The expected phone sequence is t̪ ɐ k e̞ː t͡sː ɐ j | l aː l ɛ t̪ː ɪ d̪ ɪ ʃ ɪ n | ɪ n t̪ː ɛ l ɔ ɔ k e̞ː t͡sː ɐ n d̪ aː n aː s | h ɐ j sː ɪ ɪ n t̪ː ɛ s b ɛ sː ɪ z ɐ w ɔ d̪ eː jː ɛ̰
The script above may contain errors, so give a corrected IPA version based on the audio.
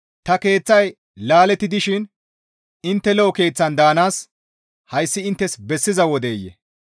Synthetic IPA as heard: t̪ ɐ k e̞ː t͡sː ɐ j | l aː l ɛ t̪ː ɪ d̪ ɪ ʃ ɪ n | ɪ n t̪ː ɛ l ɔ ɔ k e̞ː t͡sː ɐ n d̪ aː n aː s | h ɐ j sː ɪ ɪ n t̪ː ɛ s b ɛ sː ɪ z ɐ w ɔ d̪ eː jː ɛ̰